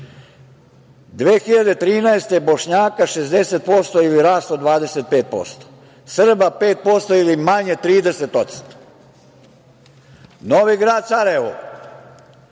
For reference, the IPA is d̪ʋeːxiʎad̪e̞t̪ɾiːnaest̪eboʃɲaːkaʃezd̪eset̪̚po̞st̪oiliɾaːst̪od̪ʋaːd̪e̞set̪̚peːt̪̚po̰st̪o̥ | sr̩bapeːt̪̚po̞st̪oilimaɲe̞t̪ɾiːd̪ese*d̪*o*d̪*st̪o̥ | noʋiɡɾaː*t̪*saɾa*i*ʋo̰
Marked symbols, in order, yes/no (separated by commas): no, no, no, no